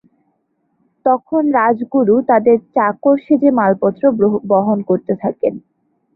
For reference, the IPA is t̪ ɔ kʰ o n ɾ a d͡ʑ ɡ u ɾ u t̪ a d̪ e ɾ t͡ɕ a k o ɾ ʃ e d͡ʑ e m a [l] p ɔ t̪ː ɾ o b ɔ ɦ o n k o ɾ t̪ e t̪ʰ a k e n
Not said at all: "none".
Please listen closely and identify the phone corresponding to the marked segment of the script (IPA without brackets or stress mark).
l